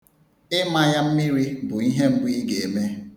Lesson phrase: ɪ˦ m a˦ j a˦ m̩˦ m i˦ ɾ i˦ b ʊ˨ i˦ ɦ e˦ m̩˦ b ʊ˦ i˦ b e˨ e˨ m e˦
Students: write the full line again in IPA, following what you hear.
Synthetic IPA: ɪ˦ m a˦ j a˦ m̩˦ m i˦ ɾ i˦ b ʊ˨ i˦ ɦ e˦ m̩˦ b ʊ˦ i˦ ɡ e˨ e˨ m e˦